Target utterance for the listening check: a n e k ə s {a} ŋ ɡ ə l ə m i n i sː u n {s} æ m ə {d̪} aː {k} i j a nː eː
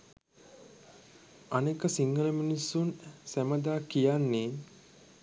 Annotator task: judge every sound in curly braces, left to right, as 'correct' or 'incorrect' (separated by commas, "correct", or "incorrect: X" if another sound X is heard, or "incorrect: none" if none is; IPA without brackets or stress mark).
incorrect: i, correct, correct, correct